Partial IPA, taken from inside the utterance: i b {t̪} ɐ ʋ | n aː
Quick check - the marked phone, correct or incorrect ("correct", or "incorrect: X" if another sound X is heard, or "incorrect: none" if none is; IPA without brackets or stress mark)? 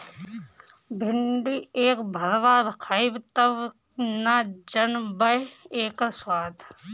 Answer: correct